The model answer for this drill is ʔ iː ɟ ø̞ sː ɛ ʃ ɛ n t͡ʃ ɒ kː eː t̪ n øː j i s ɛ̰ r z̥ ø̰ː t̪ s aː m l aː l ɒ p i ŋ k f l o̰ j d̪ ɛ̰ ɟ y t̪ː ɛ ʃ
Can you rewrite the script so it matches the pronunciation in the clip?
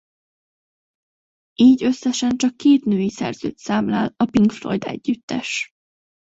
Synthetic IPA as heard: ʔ iː ɟ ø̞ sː ɛ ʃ ɛ n t͡ʃ ɒ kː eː t̪ n øː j i s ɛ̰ r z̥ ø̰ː t̪ s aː m l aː l ɒ p i ŋ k f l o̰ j d̪ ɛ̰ ɟː y t̪ː ɛ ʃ